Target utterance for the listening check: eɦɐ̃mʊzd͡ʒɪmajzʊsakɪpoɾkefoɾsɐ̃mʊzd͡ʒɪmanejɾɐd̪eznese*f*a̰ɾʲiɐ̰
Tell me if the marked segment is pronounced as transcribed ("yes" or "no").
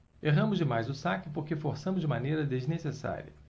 no